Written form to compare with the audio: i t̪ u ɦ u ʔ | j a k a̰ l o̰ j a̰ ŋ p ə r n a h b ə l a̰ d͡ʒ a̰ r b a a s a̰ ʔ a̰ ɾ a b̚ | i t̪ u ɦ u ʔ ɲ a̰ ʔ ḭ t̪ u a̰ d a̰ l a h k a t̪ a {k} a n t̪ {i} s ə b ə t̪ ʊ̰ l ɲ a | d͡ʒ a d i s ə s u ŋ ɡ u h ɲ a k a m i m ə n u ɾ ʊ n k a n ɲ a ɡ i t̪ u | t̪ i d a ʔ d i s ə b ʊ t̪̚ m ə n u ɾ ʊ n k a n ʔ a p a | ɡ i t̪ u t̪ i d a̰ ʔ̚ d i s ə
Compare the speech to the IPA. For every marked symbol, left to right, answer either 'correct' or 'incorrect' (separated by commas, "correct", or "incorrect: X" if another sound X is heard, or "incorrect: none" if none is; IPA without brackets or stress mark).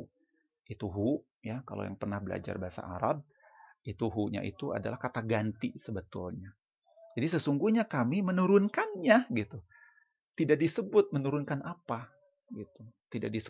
incorrect: ɡ, correct